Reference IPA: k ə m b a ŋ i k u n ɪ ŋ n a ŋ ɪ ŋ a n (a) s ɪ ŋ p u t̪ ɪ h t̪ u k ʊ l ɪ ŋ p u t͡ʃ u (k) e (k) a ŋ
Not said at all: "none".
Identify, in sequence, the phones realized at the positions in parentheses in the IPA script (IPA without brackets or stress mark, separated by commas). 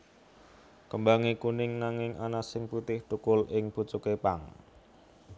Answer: a, k, p